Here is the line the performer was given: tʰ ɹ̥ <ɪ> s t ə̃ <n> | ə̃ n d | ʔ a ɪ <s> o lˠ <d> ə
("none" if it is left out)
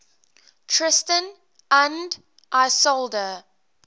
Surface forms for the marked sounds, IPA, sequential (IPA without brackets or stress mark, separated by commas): ɪ, n, s, d